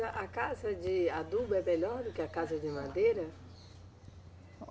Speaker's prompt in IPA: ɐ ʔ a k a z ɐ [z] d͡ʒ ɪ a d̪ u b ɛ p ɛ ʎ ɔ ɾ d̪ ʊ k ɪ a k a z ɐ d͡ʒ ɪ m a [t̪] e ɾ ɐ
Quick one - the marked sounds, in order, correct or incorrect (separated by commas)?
incorrect, incorrect